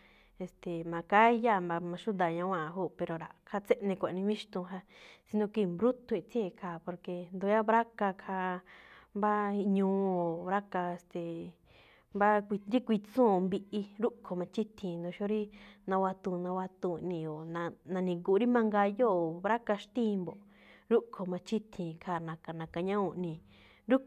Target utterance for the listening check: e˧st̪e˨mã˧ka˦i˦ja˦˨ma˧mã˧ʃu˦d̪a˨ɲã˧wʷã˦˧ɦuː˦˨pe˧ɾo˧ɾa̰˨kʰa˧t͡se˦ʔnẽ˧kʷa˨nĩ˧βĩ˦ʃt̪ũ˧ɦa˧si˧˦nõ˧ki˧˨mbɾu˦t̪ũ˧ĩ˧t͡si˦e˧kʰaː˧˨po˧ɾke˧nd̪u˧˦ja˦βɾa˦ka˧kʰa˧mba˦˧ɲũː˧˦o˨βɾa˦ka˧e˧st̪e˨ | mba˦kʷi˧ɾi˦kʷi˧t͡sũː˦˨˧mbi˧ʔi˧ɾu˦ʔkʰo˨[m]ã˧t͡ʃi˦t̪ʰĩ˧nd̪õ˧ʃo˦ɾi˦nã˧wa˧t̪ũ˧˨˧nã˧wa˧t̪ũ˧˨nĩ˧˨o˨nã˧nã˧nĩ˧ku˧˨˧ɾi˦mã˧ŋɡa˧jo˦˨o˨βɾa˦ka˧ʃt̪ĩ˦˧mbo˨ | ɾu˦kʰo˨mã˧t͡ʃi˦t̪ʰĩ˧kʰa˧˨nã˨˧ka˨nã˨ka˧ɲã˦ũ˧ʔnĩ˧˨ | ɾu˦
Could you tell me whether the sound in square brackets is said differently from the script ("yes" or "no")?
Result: no